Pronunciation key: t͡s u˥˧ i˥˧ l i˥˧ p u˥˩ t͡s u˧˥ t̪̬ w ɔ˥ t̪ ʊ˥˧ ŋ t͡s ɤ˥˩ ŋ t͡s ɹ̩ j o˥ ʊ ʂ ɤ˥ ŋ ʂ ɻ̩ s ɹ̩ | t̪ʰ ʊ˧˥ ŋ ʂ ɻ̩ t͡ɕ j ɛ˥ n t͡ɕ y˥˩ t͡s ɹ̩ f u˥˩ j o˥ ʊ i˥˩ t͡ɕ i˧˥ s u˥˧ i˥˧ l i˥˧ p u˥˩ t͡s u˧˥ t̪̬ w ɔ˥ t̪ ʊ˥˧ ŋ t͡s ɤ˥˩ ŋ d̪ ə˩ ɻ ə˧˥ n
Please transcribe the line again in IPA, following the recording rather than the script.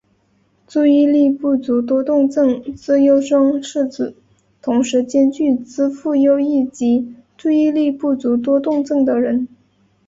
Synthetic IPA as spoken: t͡s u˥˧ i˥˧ l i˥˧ p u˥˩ t͡s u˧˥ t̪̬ w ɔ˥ t̪ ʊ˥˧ ŋ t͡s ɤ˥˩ ŋ t͡s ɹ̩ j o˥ ʊ ʂ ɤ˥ ŋ ʂ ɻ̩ t͡s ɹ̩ | t̪ʰ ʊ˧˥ ŋ ʂ ɻ̩ t͡ɕ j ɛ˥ n t͡ɕ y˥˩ t͡s ɹ̩ f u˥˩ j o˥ ʊ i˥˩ t͡ɕ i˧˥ t͡s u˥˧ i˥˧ l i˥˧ p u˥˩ t͡s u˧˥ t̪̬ w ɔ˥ t̪ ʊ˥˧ ŋ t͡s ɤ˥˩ ŋ d̪ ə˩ ɻ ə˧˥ n

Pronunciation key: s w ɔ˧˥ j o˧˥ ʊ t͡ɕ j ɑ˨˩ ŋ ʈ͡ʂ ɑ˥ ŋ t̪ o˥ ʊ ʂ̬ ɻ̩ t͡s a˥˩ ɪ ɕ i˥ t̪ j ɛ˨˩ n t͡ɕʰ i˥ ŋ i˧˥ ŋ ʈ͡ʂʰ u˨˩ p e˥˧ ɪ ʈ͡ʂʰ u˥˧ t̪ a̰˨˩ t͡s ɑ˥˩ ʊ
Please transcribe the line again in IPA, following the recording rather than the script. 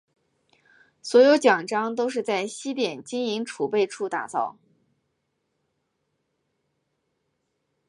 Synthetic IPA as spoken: s w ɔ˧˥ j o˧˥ ʊ t͡ɕ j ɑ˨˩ ŋ ʈ͡ʂ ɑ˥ ŋ t̪ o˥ ʊ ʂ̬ ɻ̩ t͡s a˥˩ ɪ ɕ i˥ t̪ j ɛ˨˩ n t͡ɕ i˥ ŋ i˧˥ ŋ ʈ͡ʂʰ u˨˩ p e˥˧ ɪ ʈ͡ʂʰ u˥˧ t̪ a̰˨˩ t͡s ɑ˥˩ ʊ

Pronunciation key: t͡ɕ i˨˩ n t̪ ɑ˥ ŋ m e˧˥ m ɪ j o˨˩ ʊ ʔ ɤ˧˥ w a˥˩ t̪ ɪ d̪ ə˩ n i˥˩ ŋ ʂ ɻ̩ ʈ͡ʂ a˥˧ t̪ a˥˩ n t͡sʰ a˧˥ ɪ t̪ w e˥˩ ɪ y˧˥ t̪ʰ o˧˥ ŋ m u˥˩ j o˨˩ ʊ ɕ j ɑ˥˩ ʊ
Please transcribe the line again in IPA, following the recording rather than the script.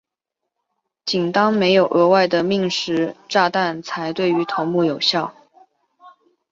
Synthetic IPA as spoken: t͡ɕ i˨˩ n t̪ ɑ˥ ŋ m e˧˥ ɪ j o˨˩ ʊ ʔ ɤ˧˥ w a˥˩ ɪ d̪ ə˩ m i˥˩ ŋ ʂ ɻ̩ ʈ͡ʂ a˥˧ t̪ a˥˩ n t͡sʰ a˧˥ ɪ t̪ w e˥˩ ɪ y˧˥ t̪ʰ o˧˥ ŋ m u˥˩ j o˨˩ ʊ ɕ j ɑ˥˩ ʊ

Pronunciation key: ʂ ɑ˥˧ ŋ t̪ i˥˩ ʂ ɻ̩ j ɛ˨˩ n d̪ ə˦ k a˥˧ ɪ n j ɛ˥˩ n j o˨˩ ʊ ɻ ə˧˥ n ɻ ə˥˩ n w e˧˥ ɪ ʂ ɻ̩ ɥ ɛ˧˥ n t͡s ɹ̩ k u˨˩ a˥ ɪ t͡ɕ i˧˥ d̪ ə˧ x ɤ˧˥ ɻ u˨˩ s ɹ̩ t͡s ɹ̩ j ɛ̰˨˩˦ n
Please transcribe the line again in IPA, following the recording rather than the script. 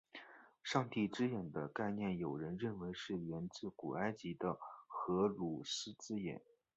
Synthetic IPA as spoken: ʂ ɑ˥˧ ŋ t̪ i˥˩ ʈ͡ʂ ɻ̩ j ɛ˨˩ n d̪ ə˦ k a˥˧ ɪ n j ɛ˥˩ n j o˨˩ ʊ ɻ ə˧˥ n ɻ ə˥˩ n w e˧˥ ɪ ʂ ɻ̩ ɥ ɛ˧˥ n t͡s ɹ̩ k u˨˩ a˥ ɪ t͡ɕ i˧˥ d̪ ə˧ x ɤ˧˥ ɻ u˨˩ s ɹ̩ t͡s ɹ̩ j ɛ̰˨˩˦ n

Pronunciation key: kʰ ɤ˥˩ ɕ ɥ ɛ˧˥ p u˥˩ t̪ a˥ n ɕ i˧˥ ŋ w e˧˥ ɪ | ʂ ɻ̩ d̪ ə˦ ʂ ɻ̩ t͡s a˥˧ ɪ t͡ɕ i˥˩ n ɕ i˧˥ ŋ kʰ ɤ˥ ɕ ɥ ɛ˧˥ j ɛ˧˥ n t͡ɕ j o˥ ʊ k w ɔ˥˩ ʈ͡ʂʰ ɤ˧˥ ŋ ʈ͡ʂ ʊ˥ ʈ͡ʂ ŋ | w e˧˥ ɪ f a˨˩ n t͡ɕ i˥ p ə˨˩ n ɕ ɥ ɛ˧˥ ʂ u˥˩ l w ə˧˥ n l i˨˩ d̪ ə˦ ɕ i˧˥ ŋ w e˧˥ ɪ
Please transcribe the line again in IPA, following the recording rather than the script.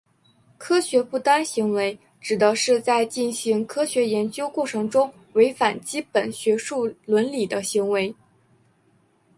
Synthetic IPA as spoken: kʰ ɤ˥ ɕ ɥ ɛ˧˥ p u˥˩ t̪ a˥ n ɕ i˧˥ ŋ w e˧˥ ɪ | ʈ͡ʂ ɻ̩ d̪ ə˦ ʂ ɻ̩ t͡s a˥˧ ɪ t͡ɕ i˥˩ n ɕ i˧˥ ŋ kʰ ɤ˥ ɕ ɥ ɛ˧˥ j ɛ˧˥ n t͡ɕ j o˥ ʊ k w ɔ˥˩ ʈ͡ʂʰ ɤ˧˥ ŋ ʈ͡ʂ ʊ˥ ŋ | w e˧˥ ɪ f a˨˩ n t͡ɕ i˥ p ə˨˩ n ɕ ɥ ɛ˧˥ ʂ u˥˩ l w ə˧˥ n l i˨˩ d̪ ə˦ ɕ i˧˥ ŋ w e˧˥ ɪ

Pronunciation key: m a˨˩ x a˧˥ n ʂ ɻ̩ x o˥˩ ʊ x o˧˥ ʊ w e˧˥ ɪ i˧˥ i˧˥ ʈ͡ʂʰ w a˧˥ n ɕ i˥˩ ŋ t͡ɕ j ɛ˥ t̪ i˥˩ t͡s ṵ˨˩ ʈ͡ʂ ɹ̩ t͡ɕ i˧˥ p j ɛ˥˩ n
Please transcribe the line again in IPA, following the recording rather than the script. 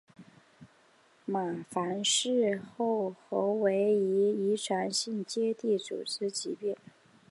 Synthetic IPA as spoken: m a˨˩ f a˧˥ n ʂ ɻ̩ x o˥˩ ʊ x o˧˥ ʊ w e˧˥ ɪ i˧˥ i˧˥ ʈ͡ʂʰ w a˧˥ n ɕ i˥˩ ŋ t͡ɕ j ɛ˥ t̪ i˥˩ t͡s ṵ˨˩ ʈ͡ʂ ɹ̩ t͡ɕ i˧˥ p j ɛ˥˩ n

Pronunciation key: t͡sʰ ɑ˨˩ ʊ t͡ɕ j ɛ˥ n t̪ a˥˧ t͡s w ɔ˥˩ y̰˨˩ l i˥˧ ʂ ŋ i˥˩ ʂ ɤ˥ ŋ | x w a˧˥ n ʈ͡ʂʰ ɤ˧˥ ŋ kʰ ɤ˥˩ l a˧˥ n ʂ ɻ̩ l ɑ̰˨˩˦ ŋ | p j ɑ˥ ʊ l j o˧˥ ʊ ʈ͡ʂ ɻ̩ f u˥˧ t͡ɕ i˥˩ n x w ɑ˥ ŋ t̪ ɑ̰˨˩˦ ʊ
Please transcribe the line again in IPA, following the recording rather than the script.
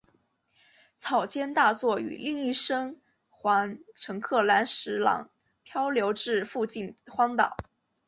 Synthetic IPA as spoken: t͡sʰ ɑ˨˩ ʊ t͡ɕ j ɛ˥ n t̪ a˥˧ t͡s w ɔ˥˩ y̰˨˩ l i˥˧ ŋ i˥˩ ʂ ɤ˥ ŋ | x w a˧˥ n ʈ͡ʂʰ ɤ˧˥ ŋ kʰ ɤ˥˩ l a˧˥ n ʂ ɻ̩ l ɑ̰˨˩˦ ŋ | pʰ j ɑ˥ ʊ l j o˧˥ ʊ ʈ͡ʂ ɻ̩ f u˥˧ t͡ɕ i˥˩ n x w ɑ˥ ŋ t̪ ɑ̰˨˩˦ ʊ

